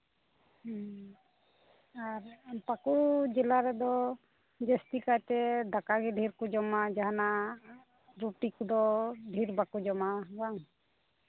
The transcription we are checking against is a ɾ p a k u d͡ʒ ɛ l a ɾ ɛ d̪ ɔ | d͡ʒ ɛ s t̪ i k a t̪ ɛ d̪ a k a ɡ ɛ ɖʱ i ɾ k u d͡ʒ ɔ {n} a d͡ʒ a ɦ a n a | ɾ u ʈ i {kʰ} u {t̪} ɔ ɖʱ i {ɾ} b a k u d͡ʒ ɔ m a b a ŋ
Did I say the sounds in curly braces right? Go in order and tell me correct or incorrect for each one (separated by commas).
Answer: incorrect, incorrect, incorrect, correct